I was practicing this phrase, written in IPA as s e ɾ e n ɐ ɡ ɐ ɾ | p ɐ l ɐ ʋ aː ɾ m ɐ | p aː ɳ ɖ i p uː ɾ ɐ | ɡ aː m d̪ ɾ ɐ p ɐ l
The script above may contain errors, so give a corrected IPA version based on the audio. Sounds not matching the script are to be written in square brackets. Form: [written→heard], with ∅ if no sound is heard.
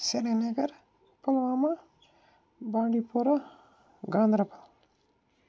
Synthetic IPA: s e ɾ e n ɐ ɡ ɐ ɾ | p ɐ l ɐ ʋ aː [ɾ→∅] m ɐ | [p→b] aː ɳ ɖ i p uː ɾ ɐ | ɡ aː [m→n] d̪ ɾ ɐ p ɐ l

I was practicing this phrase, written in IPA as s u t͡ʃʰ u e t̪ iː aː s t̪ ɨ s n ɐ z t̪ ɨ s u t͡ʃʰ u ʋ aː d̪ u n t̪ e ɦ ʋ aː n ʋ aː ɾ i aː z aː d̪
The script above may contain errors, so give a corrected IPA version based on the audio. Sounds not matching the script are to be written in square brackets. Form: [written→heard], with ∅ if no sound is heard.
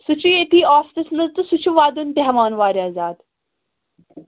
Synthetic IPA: s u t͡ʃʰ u e t̪ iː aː s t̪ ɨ s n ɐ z t̪ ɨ s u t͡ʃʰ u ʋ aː d̪ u n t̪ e ɦ ʋ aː n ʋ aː ɾ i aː z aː d̪

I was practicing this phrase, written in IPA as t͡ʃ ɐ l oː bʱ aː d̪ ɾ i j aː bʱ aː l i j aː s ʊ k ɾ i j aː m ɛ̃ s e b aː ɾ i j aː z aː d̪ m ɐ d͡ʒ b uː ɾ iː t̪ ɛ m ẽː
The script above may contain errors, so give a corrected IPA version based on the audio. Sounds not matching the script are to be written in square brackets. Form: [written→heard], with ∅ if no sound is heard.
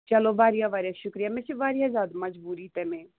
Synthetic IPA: t͡ʃ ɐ l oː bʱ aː [d̪→∅] ɾ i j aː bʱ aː [l→ɾ] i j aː [s→ʃ] ʊ k ɾ i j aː m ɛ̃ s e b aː ɾ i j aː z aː d̪ m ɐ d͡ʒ b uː ɾ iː t̪ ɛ m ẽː

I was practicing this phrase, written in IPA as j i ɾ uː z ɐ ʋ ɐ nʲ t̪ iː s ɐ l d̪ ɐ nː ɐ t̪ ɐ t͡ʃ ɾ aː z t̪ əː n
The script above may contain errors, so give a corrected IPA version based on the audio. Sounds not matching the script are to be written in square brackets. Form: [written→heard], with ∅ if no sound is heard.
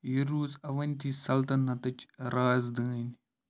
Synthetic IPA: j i ɾ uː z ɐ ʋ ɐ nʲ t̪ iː s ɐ l [d̪→t̪] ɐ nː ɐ t̪ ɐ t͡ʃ ɾ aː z [t̪→d̪] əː n

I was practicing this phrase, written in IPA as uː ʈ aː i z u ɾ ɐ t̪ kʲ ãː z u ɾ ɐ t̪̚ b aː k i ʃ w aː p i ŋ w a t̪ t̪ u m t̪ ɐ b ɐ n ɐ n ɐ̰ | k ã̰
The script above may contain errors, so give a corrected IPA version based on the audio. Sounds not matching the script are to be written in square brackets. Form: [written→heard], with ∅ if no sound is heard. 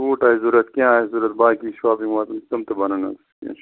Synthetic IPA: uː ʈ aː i z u ɾ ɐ t̪ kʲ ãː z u ɾ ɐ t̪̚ b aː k i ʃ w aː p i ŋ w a t̪ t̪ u m t̪ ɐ b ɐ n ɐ n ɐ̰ | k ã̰

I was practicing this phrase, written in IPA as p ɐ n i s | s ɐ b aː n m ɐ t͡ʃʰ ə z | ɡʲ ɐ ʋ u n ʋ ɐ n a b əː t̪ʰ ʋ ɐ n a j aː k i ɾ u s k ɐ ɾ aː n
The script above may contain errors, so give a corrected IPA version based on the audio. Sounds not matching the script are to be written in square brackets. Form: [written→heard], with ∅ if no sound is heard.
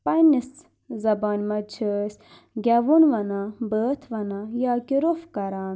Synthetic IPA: p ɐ n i s | [s→z] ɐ b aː n m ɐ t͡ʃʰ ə [z→s] | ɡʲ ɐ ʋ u n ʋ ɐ n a b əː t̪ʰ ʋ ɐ n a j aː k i ɾ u [s→f] k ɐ ɾ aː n

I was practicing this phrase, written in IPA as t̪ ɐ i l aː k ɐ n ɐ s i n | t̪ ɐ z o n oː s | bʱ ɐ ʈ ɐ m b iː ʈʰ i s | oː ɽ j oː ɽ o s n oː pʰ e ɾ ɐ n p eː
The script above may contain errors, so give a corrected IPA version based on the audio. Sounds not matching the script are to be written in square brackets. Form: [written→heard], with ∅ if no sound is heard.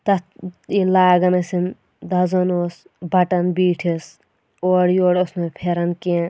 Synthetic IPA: t̪ ɐ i l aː [k→ɡ] ɐ n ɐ s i n | [t̪→d̪] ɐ z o n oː s | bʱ ɐ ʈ ɐ [m→n] b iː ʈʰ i s | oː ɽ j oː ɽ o s n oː pʰ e ɾ ɐ n [p→k] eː

